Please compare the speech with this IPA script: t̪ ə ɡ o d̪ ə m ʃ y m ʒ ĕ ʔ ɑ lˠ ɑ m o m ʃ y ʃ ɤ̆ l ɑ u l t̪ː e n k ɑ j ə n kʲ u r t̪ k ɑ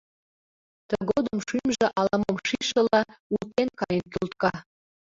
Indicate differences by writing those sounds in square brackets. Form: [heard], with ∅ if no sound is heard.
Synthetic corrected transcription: t̪ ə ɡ o d̪ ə m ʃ y m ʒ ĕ ʔ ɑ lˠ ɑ m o m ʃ [i] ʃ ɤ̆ l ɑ u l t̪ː e n k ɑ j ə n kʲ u [l] t̪ k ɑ